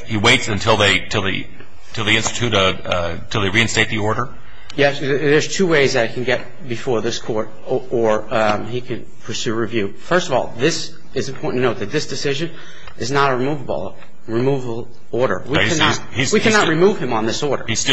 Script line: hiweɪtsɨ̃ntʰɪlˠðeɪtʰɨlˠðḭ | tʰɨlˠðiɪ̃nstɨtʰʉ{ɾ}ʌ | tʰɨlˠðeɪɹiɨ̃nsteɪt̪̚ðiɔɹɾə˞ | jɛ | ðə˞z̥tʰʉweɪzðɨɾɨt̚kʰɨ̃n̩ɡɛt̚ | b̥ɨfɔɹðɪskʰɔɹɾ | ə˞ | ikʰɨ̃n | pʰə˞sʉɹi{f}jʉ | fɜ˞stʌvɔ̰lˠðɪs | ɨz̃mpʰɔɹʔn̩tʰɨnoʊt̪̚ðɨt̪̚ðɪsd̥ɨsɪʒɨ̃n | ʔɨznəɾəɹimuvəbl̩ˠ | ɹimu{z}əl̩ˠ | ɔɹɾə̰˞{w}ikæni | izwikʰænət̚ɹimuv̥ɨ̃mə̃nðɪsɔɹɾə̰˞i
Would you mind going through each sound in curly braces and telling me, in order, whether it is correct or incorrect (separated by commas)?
correct, incorrect, incorrect, correct